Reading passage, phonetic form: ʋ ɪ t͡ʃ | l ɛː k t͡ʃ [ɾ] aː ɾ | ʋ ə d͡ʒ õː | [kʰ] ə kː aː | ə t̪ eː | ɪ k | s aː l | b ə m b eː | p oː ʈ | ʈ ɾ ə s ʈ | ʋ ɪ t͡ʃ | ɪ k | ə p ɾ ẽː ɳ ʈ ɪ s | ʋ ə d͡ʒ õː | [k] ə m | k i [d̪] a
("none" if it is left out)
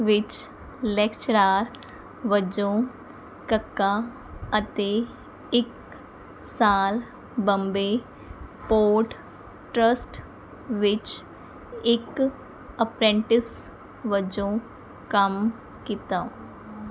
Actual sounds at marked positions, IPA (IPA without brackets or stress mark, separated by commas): ɾ, k, k, t̪